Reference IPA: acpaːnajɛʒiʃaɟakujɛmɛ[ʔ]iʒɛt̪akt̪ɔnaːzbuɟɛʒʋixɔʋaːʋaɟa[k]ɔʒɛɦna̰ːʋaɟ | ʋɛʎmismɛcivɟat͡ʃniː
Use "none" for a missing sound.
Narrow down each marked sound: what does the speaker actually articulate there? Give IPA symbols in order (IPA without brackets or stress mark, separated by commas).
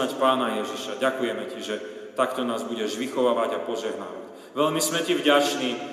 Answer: c, p